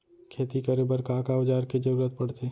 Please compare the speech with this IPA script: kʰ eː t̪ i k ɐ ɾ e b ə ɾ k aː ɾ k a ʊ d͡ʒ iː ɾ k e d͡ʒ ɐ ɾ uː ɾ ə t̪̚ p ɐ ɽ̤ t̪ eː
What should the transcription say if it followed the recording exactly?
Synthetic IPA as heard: kʰ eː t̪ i k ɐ ɾ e b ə ɾ k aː k a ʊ d͡ʒ aː ɾ k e d͡ʒ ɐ ɾ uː ɾ ə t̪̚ p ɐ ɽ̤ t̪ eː